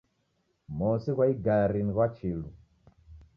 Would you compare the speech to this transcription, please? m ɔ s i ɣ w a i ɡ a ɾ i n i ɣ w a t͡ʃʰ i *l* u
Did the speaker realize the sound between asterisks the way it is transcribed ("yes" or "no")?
yes